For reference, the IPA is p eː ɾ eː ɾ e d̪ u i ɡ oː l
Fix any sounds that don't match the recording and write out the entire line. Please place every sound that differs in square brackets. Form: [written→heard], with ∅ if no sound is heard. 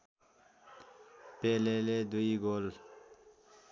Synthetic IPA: p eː [ɾ→l] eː [ɾ→l] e d̪ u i ɡ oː l